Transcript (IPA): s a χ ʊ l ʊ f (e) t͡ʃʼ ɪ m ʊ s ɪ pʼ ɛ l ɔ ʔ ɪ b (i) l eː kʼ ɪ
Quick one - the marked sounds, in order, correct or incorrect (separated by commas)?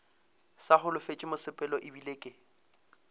correct, correct